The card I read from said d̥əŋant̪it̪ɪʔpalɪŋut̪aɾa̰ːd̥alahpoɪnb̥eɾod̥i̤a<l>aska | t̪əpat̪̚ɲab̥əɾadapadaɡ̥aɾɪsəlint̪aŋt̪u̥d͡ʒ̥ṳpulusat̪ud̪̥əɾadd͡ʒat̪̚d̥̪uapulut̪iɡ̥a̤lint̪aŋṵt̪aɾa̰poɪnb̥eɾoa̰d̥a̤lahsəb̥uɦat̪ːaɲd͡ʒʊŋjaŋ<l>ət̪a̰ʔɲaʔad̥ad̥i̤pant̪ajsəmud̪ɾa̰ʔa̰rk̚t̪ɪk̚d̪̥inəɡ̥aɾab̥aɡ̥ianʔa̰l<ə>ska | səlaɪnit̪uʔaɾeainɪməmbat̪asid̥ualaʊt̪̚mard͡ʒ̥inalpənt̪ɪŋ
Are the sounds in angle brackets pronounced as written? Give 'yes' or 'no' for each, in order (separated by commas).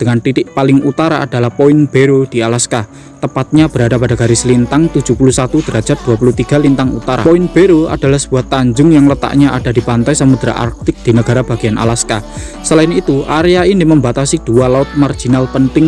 yes, yes, no